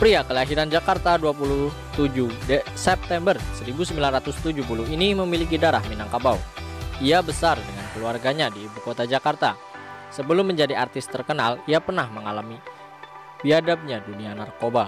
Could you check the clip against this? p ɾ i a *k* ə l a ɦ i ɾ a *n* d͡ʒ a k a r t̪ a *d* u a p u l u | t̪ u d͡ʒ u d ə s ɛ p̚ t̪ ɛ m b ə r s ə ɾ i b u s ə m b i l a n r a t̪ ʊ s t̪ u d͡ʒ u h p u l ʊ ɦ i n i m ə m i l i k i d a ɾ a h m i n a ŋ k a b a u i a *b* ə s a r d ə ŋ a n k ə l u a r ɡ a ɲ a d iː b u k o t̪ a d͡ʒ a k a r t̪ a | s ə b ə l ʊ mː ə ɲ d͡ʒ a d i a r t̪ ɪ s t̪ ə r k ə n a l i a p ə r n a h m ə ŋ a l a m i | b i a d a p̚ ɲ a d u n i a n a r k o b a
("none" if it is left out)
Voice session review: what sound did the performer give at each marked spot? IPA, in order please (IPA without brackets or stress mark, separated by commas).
k, n, d, b